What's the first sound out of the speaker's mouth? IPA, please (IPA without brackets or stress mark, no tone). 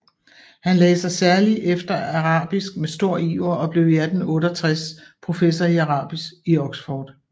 h